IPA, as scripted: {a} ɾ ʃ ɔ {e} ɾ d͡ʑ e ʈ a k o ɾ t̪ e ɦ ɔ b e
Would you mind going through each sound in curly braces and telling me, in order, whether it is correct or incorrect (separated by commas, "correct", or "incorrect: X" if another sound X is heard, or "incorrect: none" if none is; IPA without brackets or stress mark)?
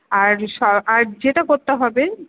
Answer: correct, incorrect: a